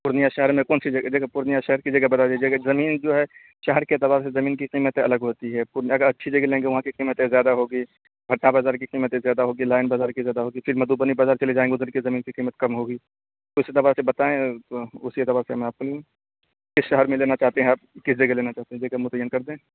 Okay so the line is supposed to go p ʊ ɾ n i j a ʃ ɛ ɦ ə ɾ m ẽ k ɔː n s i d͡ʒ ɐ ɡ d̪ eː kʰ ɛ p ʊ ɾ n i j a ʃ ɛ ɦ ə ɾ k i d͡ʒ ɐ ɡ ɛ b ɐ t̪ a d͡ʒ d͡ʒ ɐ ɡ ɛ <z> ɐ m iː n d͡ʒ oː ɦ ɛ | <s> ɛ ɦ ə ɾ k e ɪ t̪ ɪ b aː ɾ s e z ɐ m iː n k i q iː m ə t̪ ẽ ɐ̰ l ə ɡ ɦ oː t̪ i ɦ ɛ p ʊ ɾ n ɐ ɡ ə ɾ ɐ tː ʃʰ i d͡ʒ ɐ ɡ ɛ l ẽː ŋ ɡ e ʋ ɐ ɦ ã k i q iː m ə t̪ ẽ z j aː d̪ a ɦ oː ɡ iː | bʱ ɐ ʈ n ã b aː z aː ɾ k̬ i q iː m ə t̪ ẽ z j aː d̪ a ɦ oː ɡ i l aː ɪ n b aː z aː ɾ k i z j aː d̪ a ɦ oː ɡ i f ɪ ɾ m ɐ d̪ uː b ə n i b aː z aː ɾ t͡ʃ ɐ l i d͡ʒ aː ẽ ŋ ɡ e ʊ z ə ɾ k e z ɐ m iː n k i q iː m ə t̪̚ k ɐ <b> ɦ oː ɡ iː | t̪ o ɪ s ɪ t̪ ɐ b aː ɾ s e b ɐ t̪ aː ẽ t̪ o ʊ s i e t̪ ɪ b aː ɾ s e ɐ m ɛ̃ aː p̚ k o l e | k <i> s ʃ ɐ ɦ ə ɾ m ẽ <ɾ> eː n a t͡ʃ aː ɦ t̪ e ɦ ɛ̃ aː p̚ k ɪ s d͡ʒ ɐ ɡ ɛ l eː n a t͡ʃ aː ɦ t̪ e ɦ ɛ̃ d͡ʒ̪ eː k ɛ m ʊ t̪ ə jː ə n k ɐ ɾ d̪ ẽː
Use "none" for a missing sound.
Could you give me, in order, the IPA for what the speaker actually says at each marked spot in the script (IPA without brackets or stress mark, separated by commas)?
z, ʃ, m, ɪ, l